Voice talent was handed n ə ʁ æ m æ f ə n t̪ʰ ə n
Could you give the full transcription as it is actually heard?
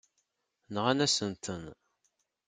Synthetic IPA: n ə ʁ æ n æ s ə n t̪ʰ ə n